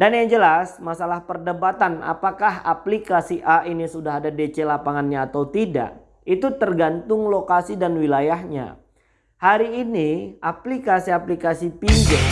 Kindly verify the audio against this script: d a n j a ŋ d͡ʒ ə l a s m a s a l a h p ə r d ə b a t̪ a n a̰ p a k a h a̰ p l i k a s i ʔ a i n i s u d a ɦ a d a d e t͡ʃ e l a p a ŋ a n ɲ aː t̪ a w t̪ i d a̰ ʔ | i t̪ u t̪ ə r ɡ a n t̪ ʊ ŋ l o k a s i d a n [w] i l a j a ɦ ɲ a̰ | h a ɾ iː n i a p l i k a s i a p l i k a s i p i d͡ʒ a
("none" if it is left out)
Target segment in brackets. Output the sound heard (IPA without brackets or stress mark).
w